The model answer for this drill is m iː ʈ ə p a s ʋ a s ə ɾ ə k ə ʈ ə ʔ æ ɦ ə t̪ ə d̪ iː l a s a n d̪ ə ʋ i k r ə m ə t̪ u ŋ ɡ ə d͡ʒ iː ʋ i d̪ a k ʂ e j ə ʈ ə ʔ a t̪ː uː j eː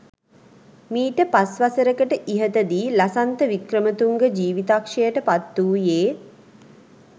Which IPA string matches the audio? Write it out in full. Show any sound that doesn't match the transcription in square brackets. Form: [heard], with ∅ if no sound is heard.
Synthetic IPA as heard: m iː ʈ ə p a s ʋ a s ə ɾ ə k ə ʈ ə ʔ [i] ɦ ə t̪ ə d̪ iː l a s a n [t̪] ə ʋ i k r ə m ə t̪ u ŋ ɡ ə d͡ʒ iː ʋ i [t̪] a k ʂ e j ə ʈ ə [p] a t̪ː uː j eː